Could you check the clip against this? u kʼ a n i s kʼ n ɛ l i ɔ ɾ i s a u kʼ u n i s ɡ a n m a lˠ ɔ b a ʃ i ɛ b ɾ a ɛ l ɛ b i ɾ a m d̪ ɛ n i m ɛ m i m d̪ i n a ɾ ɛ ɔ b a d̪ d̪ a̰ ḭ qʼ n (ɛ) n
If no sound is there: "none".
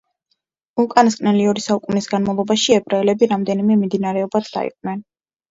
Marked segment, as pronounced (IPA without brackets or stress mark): ɛ